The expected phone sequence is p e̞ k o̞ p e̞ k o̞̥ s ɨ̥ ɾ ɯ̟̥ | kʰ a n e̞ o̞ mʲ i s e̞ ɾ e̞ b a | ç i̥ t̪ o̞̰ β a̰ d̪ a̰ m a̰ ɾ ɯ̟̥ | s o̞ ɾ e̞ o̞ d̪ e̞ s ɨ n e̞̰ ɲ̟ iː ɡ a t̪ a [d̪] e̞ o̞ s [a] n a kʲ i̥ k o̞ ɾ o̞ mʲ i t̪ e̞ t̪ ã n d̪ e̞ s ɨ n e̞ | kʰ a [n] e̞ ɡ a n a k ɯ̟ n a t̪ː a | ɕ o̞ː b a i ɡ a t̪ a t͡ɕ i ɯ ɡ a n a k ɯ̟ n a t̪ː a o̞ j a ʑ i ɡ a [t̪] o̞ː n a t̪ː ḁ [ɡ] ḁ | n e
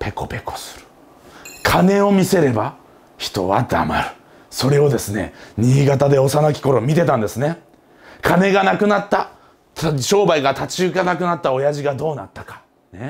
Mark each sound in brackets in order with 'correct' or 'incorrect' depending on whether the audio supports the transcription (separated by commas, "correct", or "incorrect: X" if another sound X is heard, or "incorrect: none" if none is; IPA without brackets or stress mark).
correct, correct, correct, incorrect: d̪, incorrect: k